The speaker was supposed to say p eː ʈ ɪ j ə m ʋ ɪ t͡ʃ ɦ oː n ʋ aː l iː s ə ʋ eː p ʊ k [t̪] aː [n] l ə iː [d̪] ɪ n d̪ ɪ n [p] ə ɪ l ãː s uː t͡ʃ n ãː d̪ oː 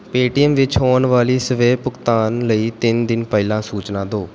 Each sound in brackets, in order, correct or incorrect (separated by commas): correct, correct, incorrect, correct